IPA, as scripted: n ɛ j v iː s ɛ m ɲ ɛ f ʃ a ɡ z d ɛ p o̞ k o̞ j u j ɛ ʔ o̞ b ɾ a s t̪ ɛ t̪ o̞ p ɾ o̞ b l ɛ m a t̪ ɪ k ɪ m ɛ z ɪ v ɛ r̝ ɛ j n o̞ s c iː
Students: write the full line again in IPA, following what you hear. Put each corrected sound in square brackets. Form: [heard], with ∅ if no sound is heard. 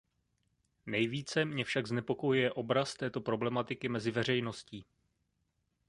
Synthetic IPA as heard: n ɛ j v iː [t͡s] ɛ m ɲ ɛ f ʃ a ɡ z [n] ɛ p o̞ k o̞ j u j ɛ ʔ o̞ b ɾ a s t̪ [ɛː] t̪ o̞ p ɾ o̞ b l ɛ m a t̪ ɪ k ɪ m ɛ z ɪ v ɛ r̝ ɛ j n o̞ s c iː